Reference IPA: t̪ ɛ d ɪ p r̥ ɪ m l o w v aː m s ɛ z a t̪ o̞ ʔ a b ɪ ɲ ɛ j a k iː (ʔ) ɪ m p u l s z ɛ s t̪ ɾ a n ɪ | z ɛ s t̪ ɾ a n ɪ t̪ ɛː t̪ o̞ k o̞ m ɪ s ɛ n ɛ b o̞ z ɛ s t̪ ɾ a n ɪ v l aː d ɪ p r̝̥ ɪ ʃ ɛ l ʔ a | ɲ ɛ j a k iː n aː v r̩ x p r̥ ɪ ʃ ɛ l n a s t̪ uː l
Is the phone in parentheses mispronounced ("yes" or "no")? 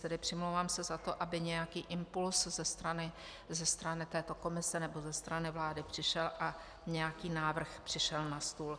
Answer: no